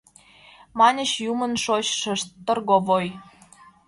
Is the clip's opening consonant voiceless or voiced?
voiced